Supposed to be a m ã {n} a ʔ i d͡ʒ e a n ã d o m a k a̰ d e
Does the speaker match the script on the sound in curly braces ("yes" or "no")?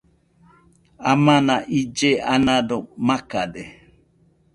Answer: yes